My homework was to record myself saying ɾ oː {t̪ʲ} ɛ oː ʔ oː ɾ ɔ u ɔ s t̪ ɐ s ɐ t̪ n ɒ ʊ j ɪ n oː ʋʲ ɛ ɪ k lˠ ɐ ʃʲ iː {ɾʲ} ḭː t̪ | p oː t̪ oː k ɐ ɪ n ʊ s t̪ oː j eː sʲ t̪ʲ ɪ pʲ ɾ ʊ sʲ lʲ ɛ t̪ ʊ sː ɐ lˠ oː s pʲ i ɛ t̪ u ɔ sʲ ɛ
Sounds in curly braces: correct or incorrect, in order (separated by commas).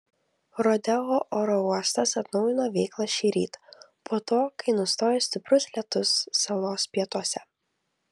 incorrect, correct